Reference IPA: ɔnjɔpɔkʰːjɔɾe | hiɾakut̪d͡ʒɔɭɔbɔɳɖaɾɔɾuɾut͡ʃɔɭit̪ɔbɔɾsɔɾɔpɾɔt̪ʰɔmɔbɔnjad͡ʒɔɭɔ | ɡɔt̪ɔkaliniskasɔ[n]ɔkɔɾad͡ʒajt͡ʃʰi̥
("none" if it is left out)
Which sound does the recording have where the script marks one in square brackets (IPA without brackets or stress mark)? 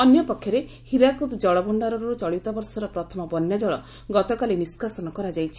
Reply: n